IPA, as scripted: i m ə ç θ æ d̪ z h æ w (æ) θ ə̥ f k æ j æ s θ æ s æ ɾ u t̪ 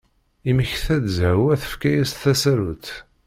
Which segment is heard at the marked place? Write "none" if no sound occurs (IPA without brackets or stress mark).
æ